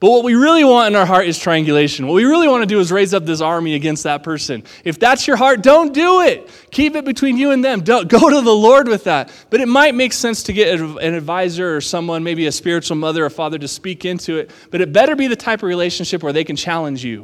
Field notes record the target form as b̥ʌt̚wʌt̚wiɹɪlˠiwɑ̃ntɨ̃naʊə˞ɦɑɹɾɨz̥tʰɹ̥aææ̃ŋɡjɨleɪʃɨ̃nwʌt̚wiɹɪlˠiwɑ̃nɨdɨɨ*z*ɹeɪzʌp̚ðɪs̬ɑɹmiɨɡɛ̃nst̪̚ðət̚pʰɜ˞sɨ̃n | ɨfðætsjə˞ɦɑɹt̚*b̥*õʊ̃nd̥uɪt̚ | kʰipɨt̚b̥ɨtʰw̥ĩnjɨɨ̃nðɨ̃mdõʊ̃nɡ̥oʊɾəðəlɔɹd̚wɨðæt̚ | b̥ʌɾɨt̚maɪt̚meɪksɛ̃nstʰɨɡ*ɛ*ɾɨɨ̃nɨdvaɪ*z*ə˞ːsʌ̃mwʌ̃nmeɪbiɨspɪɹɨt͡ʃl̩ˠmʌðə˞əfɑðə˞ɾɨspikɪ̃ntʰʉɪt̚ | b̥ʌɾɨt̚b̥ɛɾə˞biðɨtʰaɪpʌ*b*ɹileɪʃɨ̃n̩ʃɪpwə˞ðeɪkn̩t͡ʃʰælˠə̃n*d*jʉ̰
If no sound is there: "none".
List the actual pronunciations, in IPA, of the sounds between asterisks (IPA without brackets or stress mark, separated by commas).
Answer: z, d̥, ɛ, z, v, d͡ʒ